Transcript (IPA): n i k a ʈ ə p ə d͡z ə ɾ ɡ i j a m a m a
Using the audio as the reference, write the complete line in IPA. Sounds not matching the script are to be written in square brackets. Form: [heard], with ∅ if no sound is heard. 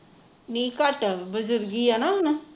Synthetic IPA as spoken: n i k a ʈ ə [b] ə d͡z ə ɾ ɡ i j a [n] a [n] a

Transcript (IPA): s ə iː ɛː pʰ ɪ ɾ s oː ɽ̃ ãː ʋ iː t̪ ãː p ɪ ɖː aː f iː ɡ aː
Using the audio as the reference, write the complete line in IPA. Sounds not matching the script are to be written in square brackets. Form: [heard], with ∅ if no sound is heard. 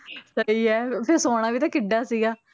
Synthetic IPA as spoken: s ə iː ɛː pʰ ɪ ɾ s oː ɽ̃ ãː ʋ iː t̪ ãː [k] ɪ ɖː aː [s] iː ɡ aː

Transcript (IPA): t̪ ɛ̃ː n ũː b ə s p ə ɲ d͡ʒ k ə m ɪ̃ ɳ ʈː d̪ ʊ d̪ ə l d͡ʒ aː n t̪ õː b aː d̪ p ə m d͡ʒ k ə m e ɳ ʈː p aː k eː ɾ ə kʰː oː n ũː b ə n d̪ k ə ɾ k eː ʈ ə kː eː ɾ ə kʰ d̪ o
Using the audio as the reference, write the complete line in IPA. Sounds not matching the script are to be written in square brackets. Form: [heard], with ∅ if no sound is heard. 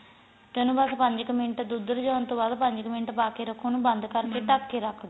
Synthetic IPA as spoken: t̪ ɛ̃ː n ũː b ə s p ə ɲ d͡ʒ k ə m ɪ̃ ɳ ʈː d̪ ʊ d̪ ə [ɾ] d͡ʒ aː n t̪ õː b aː d̪ p ə [ɲ] d͡ʒ k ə m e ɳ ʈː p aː k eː ɾ ə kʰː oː n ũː b ə n d̪ k ə ɾ k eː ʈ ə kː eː ɾ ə kʰ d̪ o

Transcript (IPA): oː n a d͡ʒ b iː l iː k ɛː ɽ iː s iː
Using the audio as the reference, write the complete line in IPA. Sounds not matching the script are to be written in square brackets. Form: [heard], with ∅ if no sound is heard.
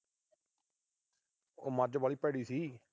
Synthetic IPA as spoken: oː [m] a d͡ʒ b [aː] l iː [p] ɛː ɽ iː s iː

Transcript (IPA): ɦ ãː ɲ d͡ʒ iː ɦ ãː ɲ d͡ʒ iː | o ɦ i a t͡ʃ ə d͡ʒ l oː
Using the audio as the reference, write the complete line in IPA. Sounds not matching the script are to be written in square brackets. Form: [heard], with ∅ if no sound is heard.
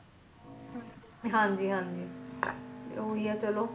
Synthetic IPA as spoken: ɦ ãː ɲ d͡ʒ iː ɦ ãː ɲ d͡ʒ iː | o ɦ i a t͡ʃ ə [∅] l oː

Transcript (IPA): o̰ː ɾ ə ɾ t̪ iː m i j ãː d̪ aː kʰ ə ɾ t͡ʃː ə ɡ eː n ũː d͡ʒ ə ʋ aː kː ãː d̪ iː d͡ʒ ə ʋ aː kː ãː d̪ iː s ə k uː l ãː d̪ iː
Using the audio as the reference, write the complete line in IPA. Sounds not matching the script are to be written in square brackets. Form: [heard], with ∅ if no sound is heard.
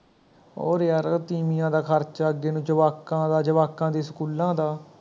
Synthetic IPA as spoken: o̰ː ɾ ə ɾ t̪ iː m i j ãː d̪ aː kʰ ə ɾ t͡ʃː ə ɡ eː n ũː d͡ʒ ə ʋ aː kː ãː d̪ [aː] d͡ʒ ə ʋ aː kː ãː d̪ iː s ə k uː l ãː d̪ [aː]

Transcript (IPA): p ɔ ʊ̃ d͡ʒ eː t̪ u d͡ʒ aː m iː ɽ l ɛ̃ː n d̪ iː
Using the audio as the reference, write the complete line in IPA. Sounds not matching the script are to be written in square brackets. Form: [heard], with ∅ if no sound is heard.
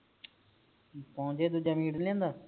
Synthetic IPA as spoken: p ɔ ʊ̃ d͡ʒ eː [d̪] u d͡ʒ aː m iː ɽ l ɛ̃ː n d̪ [aː]

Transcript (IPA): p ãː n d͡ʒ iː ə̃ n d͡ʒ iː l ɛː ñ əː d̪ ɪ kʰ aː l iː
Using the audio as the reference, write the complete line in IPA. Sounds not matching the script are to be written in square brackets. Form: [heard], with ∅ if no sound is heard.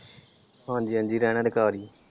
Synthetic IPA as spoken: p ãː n d͡ʒ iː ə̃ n d͡ʒ iː [ɾ] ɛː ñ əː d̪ ɪ [k] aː [ɾ] iː

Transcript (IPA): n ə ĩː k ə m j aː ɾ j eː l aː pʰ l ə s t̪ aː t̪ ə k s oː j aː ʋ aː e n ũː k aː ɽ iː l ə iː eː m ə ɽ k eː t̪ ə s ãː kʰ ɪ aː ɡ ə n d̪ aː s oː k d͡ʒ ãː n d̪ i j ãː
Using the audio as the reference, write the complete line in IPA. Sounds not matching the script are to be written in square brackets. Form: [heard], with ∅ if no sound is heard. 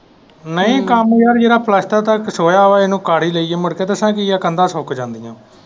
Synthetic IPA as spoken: n ə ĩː k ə m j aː ɾ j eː [ɾ] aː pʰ l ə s t̪ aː t̪ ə k s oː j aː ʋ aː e n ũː k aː ɽ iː l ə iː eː m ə ɽ k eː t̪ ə s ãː [k] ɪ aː [k] ə n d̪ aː s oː k d͡ʒ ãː n d̪ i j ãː

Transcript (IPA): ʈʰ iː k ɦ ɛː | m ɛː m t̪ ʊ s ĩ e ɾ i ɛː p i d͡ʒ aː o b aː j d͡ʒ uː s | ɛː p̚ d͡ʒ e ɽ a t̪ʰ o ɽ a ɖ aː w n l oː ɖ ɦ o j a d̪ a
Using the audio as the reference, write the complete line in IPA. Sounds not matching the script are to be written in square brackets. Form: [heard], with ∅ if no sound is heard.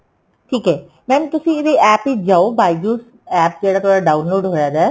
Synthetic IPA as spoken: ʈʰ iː k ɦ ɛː | m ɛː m t̪ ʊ s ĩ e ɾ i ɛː p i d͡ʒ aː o b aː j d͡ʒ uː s | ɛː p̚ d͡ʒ e ɽ a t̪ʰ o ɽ a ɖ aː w n l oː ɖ ɦ o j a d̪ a

